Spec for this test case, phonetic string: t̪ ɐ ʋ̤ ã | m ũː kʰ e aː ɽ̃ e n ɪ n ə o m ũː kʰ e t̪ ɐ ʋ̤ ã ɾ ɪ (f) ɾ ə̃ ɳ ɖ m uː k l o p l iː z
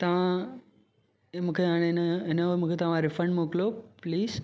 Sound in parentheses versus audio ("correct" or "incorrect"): correct